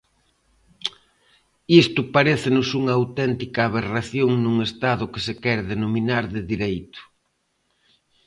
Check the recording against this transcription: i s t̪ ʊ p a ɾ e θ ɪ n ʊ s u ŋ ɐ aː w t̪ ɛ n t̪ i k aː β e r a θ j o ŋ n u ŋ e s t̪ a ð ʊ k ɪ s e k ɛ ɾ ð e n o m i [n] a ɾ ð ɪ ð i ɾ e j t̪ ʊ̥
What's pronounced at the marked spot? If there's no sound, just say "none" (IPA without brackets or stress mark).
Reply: n